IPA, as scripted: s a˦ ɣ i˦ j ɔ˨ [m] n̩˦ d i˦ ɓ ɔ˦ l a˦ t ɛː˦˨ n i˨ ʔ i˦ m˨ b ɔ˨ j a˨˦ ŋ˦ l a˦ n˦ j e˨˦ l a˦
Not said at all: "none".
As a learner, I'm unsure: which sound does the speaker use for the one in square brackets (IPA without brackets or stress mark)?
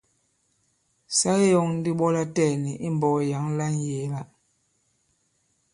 ŋ